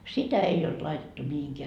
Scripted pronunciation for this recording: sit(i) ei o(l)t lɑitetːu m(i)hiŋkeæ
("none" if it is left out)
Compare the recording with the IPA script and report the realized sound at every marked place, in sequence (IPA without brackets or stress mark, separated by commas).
æ, l, i